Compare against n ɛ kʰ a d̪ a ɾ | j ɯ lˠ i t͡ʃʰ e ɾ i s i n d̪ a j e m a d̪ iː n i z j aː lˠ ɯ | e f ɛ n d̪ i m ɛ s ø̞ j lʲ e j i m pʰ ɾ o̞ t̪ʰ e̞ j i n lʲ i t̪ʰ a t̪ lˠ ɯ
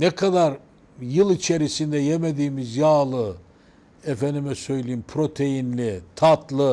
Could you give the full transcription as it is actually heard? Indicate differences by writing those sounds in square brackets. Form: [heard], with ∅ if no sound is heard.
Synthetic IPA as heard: n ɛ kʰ a d̪ a ɾ | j ɯ lˠ i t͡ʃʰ e ɾ i s i n d̪ [ɛ] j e m [e] d̪ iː [m] i z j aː lˠ ɯ | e f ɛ n d̪ i m ɛ s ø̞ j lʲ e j i m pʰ ɾ o̞ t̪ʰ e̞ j i n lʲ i t̪ʰ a t̪ lˠ ɯ